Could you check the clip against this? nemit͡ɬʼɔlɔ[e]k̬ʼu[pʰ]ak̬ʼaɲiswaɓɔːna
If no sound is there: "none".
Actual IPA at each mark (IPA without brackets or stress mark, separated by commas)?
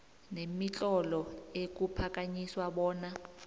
e, pʰ